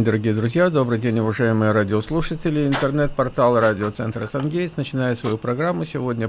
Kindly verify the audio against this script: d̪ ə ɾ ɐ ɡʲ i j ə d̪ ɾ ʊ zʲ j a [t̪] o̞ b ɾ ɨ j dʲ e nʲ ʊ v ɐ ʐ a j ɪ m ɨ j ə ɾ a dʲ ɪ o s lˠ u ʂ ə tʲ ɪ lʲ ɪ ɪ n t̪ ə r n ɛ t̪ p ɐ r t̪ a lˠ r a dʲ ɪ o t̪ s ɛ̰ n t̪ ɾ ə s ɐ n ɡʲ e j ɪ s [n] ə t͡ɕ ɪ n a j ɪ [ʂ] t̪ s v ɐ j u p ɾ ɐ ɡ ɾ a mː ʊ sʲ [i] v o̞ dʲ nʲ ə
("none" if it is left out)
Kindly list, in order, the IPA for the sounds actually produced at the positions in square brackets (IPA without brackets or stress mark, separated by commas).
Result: d̪, n, none, ɪ